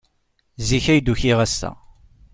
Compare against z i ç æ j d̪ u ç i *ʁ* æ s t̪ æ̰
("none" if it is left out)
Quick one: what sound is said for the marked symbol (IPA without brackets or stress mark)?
ʁ